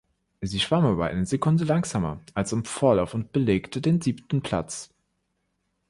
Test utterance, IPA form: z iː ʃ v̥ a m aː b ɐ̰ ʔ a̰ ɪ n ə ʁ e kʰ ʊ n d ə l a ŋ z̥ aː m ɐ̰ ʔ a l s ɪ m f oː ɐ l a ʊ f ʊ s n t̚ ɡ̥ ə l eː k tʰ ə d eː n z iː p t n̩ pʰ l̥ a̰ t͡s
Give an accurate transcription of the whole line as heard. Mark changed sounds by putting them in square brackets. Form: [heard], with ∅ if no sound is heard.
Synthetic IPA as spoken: z iː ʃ v̥ a m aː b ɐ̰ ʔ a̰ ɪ n ə [z] e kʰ ʊ n d ə l a ŋ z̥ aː m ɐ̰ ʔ a l s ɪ m f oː ɐ l a ʊ f ʊ [∅] n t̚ [b̥] ə l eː k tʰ ə d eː n z iː p t n̩ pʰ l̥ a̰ t͡s